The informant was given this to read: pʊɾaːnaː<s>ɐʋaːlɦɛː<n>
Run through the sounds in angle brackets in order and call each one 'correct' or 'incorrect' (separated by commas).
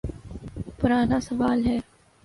correct, incorrect